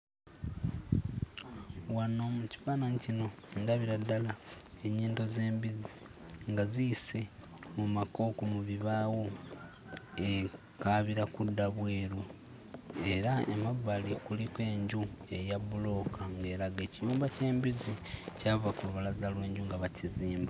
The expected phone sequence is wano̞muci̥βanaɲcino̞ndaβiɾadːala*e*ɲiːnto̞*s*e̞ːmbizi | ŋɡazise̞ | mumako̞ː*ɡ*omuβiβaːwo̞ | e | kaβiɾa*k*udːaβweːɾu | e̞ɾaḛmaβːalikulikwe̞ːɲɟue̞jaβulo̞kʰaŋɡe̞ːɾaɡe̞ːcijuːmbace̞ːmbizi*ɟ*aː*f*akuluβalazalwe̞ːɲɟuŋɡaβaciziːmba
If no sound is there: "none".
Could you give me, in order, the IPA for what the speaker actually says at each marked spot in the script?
e, z, k, k, c, v

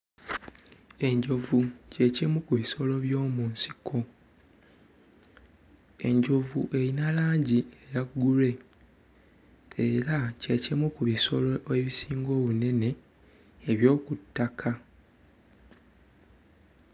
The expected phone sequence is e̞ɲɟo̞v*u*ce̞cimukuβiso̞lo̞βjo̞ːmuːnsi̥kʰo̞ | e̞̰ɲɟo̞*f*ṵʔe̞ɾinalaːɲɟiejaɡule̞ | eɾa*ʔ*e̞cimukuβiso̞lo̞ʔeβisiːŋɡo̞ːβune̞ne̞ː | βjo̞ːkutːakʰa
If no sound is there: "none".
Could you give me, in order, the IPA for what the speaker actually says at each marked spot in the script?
u, v, c

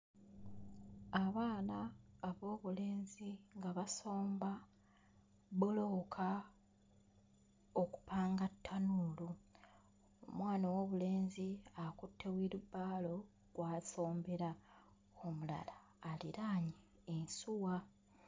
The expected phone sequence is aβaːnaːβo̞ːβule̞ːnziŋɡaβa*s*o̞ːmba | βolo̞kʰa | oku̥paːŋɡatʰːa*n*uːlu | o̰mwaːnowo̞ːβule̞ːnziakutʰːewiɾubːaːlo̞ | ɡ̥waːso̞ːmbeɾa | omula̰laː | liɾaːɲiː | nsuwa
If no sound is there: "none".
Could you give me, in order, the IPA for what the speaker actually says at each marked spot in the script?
s, n

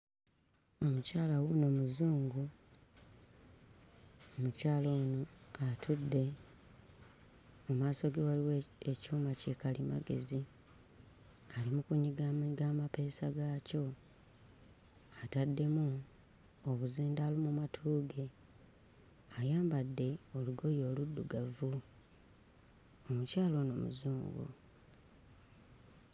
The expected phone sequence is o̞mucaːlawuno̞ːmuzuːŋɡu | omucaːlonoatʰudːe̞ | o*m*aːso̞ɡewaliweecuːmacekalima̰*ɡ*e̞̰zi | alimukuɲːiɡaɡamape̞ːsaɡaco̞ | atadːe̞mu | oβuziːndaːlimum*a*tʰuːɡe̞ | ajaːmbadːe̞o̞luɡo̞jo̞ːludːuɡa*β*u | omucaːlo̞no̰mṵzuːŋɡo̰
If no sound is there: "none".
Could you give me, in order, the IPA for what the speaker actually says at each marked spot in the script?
m, ɡ, a, v

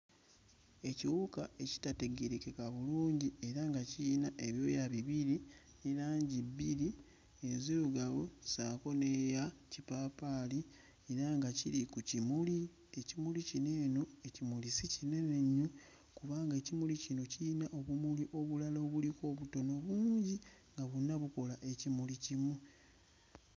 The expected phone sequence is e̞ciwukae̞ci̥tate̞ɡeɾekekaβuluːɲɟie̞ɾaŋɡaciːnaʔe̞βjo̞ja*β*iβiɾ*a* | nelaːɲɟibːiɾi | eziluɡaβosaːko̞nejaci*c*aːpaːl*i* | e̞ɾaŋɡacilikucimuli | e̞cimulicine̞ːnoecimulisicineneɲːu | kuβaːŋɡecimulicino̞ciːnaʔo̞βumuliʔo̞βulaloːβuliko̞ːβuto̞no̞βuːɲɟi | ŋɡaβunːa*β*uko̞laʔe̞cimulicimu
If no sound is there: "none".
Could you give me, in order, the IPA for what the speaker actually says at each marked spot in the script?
β, i, p, i, β

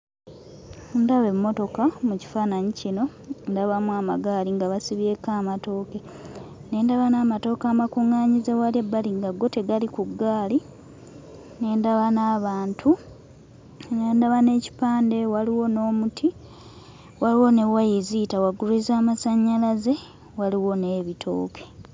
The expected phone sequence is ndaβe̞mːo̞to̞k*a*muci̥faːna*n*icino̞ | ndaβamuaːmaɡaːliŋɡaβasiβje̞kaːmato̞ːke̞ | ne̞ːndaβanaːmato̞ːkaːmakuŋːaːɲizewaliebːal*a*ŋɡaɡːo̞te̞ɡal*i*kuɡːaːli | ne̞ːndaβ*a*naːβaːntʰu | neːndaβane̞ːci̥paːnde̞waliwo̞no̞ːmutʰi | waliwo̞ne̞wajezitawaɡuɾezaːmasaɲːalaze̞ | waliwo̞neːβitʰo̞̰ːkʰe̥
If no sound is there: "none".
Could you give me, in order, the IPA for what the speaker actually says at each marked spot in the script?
a, ɲ, i, i, a

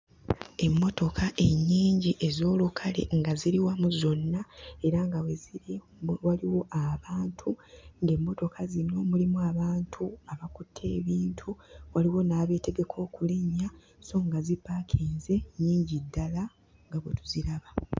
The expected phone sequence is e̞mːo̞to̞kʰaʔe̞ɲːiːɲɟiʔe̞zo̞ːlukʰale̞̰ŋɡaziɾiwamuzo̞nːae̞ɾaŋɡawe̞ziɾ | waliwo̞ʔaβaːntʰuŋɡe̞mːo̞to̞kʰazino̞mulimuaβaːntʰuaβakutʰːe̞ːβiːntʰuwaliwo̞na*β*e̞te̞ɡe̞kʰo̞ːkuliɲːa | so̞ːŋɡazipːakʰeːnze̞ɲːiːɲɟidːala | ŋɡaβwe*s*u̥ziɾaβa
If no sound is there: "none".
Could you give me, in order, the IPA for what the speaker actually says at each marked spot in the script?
β, t

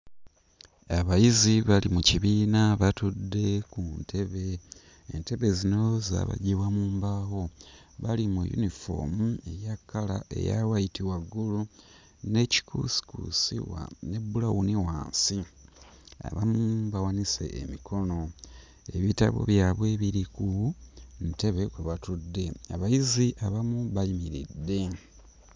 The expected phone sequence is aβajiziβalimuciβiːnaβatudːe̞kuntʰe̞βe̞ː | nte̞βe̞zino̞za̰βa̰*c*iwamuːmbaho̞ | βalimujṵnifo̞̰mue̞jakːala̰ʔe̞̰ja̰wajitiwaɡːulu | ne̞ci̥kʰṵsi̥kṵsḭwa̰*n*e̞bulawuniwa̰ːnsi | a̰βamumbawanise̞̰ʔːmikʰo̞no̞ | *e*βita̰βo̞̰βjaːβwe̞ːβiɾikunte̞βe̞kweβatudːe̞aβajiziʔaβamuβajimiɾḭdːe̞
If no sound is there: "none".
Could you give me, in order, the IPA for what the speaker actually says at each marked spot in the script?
ɟ, n, e

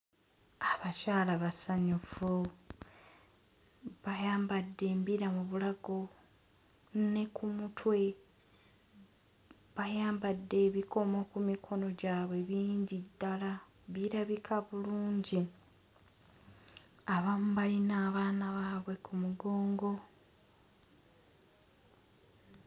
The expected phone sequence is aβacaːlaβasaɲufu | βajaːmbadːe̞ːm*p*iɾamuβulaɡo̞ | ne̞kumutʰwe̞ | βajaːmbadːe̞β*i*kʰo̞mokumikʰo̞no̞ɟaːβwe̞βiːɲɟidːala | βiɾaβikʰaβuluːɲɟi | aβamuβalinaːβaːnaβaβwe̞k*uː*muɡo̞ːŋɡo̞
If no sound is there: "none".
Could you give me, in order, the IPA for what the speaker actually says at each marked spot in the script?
b, i, u

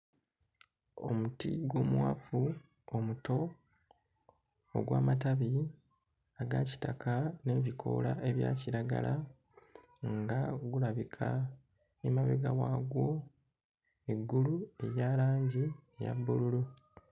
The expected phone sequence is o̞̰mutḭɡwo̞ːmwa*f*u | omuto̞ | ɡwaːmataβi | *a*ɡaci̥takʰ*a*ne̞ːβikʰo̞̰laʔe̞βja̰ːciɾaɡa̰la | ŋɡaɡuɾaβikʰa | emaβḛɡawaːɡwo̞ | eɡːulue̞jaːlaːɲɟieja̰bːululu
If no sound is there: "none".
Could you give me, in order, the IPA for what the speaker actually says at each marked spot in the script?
f, a, a

